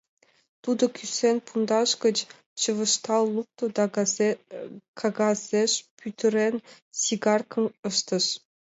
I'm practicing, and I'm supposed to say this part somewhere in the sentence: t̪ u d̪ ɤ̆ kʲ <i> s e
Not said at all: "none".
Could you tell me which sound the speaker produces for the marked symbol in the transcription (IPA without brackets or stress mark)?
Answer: y